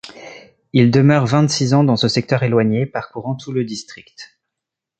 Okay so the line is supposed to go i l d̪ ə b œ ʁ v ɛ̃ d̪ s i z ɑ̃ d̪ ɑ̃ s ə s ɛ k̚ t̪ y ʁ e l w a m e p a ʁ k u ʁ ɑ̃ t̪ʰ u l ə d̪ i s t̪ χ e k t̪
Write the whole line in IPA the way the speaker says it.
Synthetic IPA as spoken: i l d̪ ə m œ ʁ v ɛ̃ t̪ s i z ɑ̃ d̪ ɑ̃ s ə s ɛ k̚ t̪ œ ʁ e l w a ɲ e p a ʁ k u ʁ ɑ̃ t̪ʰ u l ə d̪ i s t̪ χ i k t̪